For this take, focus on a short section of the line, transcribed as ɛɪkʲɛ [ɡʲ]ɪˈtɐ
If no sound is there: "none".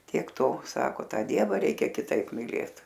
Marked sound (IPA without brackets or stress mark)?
kʲ